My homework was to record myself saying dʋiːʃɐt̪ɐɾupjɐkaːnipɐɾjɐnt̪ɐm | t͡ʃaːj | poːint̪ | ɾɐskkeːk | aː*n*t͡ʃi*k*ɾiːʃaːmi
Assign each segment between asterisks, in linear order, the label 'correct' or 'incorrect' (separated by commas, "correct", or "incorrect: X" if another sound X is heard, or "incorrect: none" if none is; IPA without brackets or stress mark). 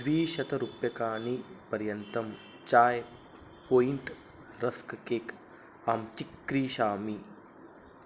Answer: incorrect: m, correct